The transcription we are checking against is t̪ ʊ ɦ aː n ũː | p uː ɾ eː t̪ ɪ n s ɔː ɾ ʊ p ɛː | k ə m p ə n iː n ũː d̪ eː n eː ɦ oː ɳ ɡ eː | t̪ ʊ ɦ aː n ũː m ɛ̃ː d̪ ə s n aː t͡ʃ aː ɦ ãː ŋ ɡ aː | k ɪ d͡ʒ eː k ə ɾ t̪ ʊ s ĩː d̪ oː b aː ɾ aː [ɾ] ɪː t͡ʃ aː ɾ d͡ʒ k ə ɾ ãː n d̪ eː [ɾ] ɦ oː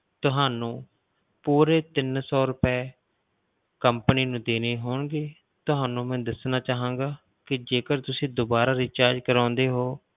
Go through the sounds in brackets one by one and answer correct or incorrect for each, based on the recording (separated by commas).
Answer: correct, incorrect